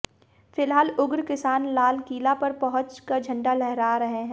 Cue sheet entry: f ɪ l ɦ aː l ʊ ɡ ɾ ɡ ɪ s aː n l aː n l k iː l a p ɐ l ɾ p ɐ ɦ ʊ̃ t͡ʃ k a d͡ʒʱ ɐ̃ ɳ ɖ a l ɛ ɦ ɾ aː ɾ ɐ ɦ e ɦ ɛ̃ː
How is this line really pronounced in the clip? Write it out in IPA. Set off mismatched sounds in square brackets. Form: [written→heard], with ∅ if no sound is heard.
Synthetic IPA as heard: f ɪ l ɦ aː l ʊ ɡ ɾ [ɡ→k] ɪ s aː n l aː [n→∅] l k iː l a p ɐ [l→∅] ɾ p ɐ ɦ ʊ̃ t͡ʃ k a d͡ʒʱ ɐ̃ ɳ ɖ a l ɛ ɦ ɾ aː ɾ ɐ ɦ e ɦ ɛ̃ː